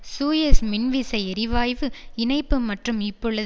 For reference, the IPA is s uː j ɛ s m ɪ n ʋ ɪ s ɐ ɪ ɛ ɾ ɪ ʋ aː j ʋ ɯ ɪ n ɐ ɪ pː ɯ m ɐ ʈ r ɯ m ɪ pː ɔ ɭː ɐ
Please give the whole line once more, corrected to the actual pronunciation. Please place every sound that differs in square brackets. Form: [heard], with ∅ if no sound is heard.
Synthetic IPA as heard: s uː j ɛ s m ɪ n ʋ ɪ s ɐ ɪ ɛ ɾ ɪ ʋ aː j ʋ ɯ ɪ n ɐ ɪ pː ɯ m ɐ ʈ r ɯ m ɪ pː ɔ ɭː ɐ